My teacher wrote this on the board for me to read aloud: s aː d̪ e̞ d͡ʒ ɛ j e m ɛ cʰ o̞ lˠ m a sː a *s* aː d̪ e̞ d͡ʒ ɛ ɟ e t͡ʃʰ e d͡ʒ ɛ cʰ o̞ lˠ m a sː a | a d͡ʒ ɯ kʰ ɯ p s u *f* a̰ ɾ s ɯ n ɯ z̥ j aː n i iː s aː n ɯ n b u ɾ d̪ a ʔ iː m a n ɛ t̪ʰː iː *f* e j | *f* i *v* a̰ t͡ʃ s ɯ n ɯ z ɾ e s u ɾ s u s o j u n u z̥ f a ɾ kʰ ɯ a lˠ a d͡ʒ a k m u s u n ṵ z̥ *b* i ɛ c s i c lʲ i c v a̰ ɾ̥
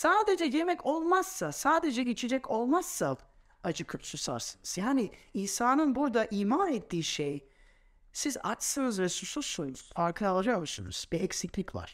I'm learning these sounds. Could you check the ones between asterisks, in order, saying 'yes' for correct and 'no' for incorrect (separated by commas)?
yes, no, no, no, no, yes